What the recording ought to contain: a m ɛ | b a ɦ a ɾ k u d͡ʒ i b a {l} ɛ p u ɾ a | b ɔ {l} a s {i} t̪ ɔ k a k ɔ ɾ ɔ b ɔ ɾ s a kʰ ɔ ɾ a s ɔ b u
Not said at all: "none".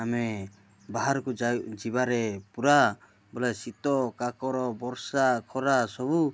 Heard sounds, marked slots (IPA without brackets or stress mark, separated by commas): ɾ, l, i